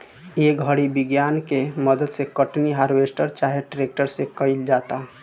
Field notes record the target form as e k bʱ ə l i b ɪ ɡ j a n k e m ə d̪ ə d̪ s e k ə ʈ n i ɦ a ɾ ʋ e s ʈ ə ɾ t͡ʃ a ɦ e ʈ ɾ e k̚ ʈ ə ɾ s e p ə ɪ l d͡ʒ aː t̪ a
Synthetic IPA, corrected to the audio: e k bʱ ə ɽ i b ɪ ɡ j a n k e m ə d̪ ə d̪ s e k ə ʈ n i ɦ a ɾ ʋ e s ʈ ə ɾ t͡ʃ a ɦ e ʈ ɾ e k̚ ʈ ə ɾ s e k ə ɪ l d͡ʒ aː t̪ a